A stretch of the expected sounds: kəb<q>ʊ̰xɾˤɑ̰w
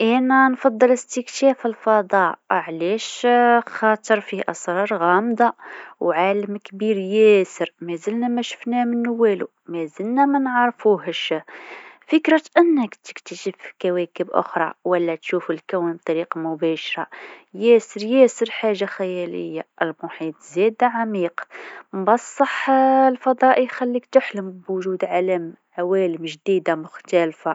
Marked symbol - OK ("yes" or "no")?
no